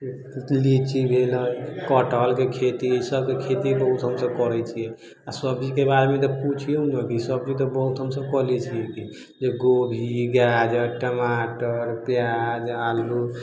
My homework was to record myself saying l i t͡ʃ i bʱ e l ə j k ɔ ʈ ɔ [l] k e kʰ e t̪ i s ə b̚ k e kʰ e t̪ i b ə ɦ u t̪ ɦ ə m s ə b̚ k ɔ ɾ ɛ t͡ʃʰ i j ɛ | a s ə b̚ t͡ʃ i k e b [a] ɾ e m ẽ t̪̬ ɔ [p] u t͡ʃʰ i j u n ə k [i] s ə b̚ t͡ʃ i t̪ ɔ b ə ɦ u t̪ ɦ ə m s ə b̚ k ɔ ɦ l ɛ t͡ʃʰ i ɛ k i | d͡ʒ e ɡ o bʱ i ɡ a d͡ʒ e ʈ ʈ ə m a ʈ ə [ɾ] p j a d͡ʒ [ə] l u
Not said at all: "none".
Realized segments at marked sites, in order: l, a, p, i, ɾ, a

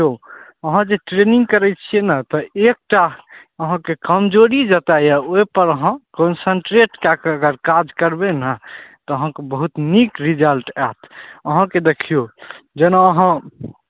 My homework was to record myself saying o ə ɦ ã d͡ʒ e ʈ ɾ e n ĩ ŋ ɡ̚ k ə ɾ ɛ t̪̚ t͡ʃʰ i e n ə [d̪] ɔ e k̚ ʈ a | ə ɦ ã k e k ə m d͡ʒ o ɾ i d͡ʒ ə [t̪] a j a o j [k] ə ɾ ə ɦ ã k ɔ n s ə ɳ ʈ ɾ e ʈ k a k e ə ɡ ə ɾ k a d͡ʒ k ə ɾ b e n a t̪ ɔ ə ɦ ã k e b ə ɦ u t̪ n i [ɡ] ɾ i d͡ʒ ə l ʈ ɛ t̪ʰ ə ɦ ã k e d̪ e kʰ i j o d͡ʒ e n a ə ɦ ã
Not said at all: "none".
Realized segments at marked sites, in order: t̪, t̪, p, k

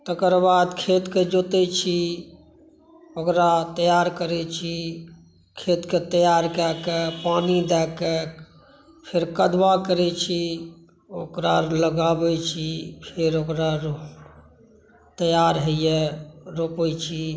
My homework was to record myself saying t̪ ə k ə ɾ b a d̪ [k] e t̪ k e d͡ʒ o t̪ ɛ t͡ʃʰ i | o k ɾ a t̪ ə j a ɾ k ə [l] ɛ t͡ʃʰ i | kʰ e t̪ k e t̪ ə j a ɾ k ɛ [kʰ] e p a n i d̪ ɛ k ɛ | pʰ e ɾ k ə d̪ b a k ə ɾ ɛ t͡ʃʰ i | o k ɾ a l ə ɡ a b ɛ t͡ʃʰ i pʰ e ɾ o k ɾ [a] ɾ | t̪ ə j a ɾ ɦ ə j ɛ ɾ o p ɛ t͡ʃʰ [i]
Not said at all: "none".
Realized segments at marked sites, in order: kʰ, ɾ, k, a, i

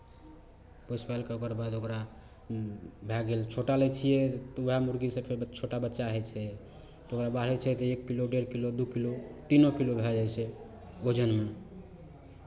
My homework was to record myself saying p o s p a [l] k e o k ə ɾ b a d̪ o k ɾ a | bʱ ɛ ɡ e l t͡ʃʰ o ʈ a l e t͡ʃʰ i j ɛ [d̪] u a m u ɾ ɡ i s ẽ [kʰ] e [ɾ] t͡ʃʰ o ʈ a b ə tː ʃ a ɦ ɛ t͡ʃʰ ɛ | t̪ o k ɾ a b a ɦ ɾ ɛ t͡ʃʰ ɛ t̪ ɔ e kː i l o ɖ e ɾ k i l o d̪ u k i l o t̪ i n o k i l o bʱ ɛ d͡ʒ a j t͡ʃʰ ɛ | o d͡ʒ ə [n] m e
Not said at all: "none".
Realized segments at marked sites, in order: l, t̪, pʰ, ɾ, n

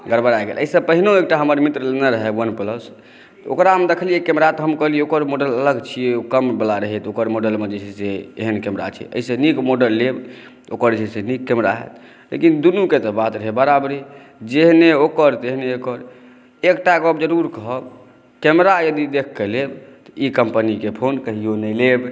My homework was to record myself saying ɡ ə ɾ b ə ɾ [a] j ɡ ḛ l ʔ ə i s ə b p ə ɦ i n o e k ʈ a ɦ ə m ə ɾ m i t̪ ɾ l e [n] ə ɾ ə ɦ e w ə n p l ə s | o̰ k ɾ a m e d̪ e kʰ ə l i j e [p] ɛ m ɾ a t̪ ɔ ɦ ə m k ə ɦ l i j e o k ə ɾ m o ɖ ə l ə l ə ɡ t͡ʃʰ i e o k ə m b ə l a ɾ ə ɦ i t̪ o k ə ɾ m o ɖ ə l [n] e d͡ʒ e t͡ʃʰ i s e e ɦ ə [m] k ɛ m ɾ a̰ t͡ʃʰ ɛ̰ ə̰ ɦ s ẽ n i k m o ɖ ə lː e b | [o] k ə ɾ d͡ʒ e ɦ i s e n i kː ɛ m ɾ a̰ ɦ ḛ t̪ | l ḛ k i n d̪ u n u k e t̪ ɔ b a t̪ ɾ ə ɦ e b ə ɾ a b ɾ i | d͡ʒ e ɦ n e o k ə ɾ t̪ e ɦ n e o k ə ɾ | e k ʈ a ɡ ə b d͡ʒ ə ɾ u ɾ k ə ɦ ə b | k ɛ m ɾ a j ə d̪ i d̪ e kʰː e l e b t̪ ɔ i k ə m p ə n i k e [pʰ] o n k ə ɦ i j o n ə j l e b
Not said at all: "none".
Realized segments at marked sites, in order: a, n, k, m, n, o, pʰ

